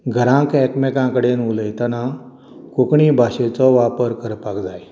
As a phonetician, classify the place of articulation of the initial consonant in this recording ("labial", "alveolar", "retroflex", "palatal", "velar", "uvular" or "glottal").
velar